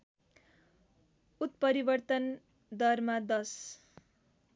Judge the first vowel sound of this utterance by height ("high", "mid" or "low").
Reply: high